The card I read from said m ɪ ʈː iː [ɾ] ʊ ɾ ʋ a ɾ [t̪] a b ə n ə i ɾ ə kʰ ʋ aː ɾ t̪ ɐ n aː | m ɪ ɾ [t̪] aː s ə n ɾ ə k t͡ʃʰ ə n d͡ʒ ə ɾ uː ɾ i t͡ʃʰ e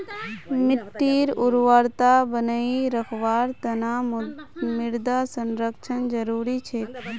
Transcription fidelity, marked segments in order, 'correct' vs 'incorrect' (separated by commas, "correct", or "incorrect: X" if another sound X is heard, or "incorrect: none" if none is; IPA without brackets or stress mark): correct, correct, incorrect: d̪